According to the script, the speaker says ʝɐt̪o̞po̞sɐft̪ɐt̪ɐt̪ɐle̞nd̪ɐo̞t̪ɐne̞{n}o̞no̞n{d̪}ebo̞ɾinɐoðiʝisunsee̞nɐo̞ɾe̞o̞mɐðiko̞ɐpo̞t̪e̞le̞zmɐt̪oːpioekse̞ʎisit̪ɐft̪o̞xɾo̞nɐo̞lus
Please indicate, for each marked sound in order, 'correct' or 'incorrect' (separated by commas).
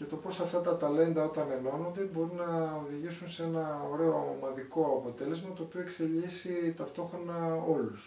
correct, correct